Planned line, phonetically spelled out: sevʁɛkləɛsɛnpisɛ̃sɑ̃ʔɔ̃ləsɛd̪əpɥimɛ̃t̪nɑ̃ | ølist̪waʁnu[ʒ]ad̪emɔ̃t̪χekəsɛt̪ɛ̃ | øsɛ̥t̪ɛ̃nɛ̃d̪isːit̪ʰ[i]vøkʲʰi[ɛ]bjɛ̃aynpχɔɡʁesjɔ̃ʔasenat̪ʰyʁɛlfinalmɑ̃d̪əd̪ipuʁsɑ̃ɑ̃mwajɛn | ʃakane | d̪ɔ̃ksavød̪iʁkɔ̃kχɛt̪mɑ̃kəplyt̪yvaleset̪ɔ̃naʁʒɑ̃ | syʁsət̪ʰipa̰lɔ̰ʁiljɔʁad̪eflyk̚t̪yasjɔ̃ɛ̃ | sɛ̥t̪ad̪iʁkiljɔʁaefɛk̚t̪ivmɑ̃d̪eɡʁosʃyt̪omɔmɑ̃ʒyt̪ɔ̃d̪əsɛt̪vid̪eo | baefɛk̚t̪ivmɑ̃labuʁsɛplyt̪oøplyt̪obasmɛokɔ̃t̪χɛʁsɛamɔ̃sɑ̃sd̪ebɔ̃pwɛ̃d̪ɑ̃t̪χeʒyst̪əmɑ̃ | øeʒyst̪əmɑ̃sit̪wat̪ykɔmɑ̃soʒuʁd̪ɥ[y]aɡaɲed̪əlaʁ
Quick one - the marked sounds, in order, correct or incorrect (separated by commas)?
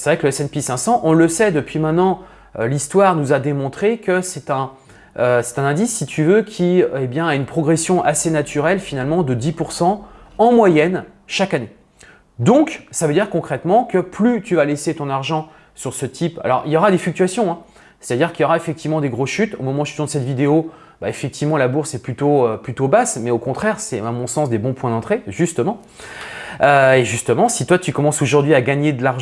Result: incorrect, incorrect, incorrect, incorrect